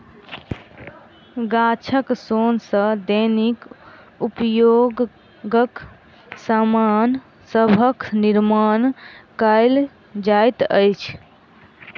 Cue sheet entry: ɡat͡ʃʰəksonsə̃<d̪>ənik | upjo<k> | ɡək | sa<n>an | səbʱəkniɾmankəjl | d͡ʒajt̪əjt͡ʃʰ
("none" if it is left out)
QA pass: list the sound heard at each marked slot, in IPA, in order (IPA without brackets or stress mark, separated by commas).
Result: d̪, ɡ, m